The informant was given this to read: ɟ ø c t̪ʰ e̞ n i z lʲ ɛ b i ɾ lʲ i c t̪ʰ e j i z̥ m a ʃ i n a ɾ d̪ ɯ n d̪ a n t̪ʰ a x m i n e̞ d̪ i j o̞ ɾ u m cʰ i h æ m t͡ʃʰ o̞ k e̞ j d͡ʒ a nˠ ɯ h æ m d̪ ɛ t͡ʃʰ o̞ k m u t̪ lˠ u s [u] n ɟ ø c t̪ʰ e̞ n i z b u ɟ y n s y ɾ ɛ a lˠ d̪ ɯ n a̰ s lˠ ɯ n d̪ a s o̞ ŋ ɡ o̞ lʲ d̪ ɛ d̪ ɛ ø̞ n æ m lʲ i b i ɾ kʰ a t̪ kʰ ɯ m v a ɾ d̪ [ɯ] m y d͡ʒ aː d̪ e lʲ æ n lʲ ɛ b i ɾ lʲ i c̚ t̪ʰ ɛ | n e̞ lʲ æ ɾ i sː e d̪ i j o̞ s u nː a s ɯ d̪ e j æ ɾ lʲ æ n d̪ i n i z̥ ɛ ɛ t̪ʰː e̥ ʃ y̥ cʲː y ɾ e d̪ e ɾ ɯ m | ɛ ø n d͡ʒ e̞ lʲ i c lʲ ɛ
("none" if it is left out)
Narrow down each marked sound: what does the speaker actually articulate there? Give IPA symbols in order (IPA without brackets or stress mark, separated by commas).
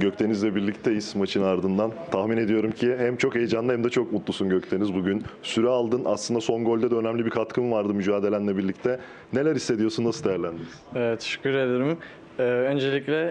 u, ɯ